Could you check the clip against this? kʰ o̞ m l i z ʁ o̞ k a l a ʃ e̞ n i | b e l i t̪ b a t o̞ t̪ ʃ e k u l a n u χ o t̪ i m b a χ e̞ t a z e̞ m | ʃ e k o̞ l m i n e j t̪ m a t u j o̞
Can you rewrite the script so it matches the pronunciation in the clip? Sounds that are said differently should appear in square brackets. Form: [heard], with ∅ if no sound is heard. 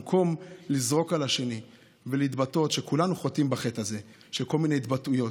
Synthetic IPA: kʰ o̞ m l i z ʁ o̞ k a l a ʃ e̞ n i | [v] e l i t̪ b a t o̞ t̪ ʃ e k u l a n u χ o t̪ i m b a χ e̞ t a z e̞ [∅] | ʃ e k o̞ l m i n e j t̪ [b] a t u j o̞